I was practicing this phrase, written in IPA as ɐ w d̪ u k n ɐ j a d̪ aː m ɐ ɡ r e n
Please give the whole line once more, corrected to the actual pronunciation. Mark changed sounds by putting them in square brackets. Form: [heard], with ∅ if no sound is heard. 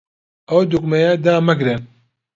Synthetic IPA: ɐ w d̪ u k [m] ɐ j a d̪ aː m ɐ ɡ [ɾ] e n